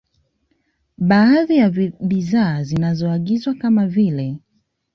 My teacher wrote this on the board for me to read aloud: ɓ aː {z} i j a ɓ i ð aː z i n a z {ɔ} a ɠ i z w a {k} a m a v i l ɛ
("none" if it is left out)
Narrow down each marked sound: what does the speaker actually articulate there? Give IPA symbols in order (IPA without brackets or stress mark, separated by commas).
ð, ɔ, k